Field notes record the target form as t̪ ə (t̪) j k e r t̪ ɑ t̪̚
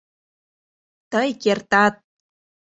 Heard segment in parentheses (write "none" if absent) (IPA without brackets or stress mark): none